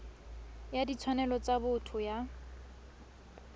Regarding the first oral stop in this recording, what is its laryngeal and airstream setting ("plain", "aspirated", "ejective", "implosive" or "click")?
plain